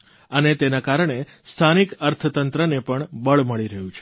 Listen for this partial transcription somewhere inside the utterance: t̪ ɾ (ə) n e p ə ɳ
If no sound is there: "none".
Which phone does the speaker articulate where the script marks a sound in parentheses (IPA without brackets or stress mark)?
ə